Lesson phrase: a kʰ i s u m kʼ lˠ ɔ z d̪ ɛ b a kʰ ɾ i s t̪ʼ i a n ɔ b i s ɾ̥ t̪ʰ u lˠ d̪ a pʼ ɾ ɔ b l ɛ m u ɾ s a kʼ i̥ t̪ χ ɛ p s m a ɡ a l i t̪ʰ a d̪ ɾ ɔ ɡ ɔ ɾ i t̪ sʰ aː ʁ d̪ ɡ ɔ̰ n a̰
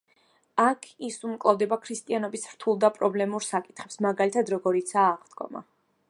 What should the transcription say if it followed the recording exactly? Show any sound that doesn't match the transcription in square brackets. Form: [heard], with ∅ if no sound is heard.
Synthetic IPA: a kʰ i s u m kʼ lˠ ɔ [v] d̪ ɛ b a kʰ ɾ i s t̪ʼ i a n ɔ b i s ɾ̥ t̪ʰ u lˠ d̪ a pʼ ɾ ɔ b l ɛ m u ɾ s a kʼ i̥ t̪ χ ɛ p s m a ɡ a l i t̪ʰ a d̪ ɾ ɔ ɡ ɔ ɾ i t̪ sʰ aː ʁ d̪ ɡ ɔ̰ [m] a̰